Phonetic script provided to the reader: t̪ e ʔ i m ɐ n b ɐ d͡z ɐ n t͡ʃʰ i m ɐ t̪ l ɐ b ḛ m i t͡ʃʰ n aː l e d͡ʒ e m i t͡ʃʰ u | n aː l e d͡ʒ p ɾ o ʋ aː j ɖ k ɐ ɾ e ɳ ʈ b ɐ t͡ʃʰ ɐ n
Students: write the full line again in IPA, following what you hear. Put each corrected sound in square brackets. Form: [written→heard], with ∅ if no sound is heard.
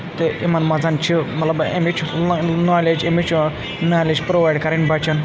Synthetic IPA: t̪ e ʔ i m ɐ n [b→m] ɐ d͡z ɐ n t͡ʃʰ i m ɐ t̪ l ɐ b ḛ m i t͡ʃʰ n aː l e d͡ʒ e m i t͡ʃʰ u | n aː l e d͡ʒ p ɾ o ʋ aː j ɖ k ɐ ɾ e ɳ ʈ b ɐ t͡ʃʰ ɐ n

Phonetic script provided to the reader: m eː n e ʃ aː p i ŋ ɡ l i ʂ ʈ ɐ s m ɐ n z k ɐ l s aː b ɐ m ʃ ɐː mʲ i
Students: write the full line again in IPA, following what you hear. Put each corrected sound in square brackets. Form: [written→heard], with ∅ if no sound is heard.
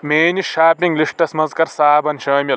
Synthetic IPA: m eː n [e→i] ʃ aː p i ŋ ɡ l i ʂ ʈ ɐ s m ɐ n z k ɐ [l→ɾ] s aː b ɐ [m→n] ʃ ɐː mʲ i

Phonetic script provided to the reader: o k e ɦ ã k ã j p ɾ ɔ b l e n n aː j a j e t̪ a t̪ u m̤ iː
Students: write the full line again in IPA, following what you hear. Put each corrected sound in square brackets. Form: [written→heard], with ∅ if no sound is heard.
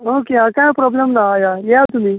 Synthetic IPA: o k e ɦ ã k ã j p ɾ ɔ b l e [n→m] n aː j a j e [t̪→∅] a t̪ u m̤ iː

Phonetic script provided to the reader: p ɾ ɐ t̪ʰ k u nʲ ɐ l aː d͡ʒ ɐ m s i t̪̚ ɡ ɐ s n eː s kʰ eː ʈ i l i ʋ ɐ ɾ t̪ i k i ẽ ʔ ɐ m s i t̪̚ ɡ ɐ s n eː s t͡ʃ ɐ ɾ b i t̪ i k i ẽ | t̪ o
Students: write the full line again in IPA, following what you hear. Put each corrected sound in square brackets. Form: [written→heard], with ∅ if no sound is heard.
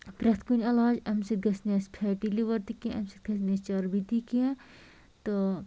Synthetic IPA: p ɾ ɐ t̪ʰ k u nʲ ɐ l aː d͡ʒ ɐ m s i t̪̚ ɡ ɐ s n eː s [kʰ→pʰ] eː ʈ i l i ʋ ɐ ɾ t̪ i k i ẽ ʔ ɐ m s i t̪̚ ɡ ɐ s n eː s t͡ʃ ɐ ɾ b i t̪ i k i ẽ | t̪ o

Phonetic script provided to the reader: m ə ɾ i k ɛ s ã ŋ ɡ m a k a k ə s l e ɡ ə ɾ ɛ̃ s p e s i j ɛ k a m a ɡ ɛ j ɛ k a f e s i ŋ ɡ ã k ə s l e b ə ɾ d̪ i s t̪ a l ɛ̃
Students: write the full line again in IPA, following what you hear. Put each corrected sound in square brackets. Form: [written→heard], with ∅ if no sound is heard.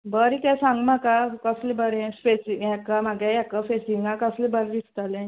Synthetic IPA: [m→b] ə ɾ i k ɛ s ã ŋ ɡ m a k a k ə s l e [ɡ→b] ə ɾ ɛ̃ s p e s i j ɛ k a m a ɡ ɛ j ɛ k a f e s i ŋ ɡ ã k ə s l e b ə ɾ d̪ i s t̪ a l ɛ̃

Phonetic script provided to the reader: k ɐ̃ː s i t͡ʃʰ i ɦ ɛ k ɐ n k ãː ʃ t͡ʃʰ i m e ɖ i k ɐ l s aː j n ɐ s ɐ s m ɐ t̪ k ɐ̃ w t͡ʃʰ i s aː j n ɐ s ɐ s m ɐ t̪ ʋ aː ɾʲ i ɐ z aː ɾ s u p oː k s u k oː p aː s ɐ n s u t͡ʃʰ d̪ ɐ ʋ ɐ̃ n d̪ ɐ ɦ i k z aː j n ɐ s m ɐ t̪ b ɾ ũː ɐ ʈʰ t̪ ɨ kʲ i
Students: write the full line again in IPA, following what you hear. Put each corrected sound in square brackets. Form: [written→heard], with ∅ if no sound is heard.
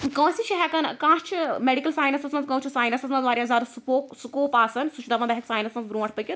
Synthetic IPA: k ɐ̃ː s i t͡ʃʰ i ɦ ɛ k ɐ n k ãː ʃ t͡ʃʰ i m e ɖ i k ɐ l s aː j n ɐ s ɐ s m ɐ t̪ k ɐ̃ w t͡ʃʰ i s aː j n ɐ s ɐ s m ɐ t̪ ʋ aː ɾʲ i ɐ z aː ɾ s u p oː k s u k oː p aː s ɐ n s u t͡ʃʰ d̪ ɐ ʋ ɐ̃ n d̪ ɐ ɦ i k [z→s] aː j n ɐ s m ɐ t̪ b ɾ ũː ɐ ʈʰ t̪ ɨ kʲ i

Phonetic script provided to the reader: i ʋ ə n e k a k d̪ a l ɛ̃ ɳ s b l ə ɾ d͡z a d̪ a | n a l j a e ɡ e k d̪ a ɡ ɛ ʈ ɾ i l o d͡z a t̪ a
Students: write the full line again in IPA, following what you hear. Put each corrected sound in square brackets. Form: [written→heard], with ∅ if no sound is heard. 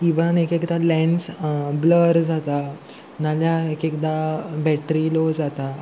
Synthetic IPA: i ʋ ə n e k [a→e] k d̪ a l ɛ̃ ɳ s b l ə ɾ d͡z a [d̪→t̪] a | n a l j a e [ɡ→k] e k d̪ a [ɡ→b] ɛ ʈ ɾ i l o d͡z a t̪ a

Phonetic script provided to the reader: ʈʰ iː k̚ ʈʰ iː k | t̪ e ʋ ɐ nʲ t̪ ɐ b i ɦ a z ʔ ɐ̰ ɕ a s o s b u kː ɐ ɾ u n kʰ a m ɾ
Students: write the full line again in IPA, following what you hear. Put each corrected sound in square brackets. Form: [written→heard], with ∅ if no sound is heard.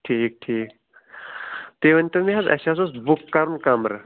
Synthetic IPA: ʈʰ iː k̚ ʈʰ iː k | t̪ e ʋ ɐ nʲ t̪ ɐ [b→m] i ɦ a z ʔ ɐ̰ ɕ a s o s b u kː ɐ ɾ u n [kʰ→k] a m ɾ

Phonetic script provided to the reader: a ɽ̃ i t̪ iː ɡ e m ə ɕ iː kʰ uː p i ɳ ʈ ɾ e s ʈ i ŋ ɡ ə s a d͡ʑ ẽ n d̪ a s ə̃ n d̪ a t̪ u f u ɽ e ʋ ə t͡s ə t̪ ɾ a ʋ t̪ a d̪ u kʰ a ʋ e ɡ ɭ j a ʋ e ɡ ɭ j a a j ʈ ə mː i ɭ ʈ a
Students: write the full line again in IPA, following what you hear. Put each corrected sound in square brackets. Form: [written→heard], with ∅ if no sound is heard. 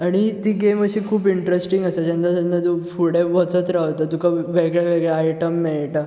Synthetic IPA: a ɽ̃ i t̪ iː ɡ e m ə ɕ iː kʰ uː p i ɳ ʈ ɾ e s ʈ i ŋ ɡ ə s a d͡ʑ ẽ n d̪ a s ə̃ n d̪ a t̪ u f u ɽ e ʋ ə t͡s ə t̪ ɾ a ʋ t̪ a [d̪→t̪] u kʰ a ʋ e ɡ ɭ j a ʋ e ɡ ɭ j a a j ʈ ə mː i ɭ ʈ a

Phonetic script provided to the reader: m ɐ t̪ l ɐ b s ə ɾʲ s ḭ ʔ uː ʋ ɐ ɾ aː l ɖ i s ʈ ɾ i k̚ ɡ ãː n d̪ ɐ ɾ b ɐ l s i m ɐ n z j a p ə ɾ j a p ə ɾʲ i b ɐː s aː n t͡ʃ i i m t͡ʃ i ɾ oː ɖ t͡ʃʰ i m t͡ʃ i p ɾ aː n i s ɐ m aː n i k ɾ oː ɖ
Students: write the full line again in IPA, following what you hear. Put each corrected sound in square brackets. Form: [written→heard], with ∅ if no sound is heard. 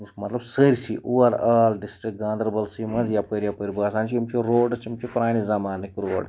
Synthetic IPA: m ɐ t̪ l ɐ b s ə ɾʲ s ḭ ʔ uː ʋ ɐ ɾ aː l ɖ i s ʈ ɾ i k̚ ɡ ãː n d̪ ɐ ɾ b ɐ l s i m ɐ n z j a p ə ɾ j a p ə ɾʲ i b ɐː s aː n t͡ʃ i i m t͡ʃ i ɾ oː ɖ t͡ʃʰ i m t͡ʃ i p ɾ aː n i [s→z] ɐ m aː n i k ɾ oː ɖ

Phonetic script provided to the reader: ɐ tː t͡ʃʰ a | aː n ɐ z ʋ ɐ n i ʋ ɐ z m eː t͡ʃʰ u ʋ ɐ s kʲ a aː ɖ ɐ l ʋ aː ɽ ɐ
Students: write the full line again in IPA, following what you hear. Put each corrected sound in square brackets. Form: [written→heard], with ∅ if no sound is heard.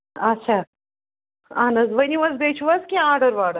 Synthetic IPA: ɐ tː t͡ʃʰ a | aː n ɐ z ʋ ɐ n i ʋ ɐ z [m→b] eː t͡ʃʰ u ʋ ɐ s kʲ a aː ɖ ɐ [l→ɾ] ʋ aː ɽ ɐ

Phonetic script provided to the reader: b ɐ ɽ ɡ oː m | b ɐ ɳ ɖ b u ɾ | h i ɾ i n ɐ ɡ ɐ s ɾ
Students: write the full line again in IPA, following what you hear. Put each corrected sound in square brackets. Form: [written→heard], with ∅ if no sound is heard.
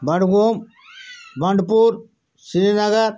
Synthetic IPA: b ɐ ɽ ɡ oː m | b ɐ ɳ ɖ [b→p] u ɾ | [h→s] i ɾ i n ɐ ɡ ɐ [s→∅] ɾ

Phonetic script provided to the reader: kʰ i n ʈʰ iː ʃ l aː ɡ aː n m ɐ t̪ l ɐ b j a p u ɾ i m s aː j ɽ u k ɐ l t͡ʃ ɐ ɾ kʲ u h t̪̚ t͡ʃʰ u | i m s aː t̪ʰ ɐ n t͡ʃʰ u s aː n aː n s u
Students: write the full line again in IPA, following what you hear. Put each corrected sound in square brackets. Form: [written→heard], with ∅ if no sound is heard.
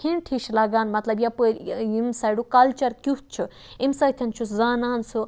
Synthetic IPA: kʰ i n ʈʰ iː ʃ l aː ɡ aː n m ɐ t̪ l ɐ b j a p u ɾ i m s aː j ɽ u k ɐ l t͡ʃ ɐ ɾ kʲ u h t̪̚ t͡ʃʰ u | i m s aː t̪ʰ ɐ n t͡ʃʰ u [s→z] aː n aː n s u

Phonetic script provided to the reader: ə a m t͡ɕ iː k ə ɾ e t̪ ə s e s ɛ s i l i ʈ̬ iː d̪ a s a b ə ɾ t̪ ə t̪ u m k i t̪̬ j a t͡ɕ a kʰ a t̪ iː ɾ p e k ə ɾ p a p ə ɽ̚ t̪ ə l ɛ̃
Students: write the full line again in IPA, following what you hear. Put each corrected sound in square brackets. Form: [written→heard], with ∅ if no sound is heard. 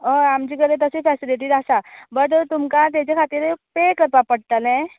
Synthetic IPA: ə a m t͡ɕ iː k ə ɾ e t̪ ə s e [s→f] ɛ s i l i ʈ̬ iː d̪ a s a b ə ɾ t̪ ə t̪ u m k [i→a] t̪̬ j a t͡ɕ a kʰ a t̪ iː ɾ p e k ə ɾ p a p ə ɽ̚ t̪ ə l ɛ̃

